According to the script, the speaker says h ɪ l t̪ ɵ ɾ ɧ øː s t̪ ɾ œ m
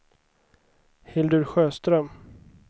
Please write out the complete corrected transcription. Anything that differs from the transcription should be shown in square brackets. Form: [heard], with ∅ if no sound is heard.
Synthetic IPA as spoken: h ɪ l [d̪] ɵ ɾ ɧ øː s t̪ ɾ œ m